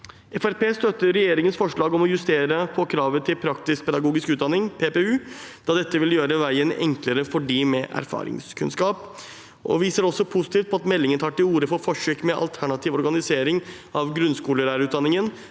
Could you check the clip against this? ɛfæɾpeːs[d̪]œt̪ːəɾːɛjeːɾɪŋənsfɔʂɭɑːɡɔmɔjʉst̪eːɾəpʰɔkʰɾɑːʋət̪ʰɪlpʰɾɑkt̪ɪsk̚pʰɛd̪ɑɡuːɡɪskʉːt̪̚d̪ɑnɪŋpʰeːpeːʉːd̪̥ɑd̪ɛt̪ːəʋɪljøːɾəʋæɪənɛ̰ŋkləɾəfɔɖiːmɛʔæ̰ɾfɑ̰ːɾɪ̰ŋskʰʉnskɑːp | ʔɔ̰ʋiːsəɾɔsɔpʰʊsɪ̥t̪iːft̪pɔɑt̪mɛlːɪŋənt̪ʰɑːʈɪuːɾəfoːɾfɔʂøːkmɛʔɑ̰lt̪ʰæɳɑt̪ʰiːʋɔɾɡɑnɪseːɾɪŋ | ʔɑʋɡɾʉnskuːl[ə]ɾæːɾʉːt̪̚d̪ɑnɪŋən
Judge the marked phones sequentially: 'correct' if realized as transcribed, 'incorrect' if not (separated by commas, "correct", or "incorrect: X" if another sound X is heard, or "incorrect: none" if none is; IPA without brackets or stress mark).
incorrect: t̪, correct